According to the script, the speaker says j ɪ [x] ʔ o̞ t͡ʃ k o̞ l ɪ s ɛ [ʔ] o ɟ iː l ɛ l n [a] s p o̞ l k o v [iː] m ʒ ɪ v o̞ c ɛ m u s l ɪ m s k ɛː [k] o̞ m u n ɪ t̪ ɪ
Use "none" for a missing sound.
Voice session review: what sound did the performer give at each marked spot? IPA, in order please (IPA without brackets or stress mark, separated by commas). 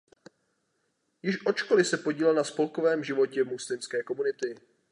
ʃ, p, a, ɛː, k